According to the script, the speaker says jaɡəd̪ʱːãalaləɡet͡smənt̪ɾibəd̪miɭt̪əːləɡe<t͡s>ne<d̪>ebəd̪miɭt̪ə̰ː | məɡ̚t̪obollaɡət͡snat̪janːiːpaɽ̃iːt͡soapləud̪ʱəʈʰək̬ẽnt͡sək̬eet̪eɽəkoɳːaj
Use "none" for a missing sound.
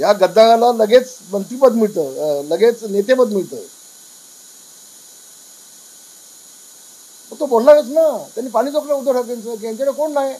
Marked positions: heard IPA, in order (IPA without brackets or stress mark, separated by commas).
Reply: t͡s, t̪